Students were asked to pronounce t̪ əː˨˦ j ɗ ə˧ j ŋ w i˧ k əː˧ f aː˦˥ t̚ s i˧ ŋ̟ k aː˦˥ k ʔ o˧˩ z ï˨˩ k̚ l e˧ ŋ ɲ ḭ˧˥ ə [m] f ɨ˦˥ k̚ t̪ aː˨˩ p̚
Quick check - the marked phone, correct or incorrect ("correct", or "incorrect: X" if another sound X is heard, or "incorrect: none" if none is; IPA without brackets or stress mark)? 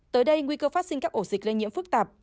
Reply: correct